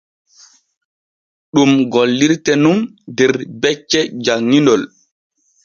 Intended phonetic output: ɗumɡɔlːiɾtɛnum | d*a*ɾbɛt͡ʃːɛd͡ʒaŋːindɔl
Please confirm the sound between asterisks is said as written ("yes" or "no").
no